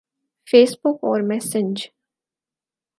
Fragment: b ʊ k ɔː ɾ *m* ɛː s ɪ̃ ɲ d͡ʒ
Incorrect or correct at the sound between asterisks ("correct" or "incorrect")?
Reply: correct